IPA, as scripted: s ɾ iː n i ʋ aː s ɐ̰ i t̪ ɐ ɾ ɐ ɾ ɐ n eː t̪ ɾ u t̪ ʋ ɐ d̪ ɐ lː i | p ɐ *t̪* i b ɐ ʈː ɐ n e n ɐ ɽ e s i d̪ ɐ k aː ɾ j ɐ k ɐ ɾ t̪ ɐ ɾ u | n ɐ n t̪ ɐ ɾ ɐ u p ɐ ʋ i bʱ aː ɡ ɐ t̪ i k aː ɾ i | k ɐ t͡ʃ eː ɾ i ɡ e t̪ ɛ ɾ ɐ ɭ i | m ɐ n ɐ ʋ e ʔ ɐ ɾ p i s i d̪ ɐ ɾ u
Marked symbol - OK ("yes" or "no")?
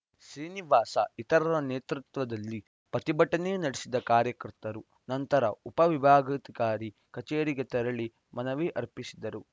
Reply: yes